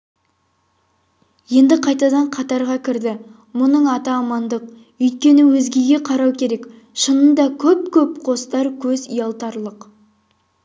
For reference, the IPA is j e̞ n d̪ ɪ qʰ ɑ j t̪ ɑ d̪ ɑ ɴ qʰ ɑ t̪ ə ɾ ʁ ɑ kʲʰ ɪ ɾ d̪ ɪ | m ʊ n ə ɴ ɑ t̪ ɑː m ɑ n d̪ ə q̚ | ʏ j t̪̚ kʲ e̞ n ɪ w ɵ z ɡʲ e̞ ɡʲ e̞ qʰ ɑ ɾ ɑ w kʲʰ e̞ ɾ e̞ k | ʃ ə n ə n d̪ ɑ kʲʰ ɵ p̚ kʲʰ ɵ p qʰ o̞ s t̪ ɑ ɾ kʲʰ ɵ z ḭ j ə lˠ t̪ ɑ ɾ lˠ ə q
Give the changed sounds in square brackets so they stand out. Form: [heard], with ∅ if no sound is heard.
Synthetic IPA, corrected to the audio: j e̞ n d̪ ɪ qʰ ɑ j t̪ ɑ d̪ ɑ ɴ qʰ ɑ t̪ [ɑ] ɾ ʁ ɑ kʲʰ ɪ ɾ d̪ ɪ | m ʊ n ə ɴ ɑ t̪ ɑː m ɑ n d̪ ə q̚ | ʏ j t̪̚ kʲ e̞ n ɪ w ɵ z ɡʲ e̞ ɡʲ e̞ qʰ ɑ ɾ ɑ w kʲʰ e̞ ɾ e̞ k | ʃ ə n ə n d̪ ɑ kʲʰ ɵ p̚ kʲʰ ɵ p qʰ o̞ s t̪ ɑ ɾ kʲʰ ɵ z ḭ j [ɑ] lˠ t̪ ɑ ɾ lˠ ə q

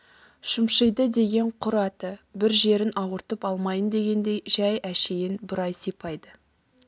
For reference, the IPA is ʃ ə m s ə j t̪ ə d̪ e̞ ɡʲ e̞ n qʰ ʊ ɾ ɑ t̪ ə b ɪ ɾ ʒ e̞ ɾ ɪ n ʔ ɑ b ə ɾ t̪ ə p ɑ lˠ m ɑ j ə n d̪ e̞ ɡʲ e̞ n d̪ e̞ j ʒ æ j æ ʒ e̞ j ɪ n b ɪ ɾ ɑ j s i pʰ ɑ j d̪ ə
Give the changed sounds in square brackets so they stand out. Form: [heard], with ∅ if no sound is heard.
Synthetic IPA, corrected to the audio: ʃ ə m [ʃ] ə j [d̪] ə d̪ e̞ ɡʲ e̞ [ɴ] qʰ ʊ ɾ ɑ t̪ ə b ɪ ɾ ʒ e̞ ɾ ɪ n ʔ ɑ [w] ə ɾ t̪ ə p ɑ lˠ m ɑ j ə n d̪ e̞ ɡʲ e̞ n d̪ e̞ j ʒ æ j æ [ʃ] e̞ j ɪ n b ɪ ɾ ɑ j s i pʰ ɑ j d̪ ə

